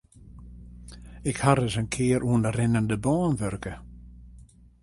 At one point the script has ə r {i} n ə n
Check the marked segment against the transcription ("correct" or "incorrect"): incorrect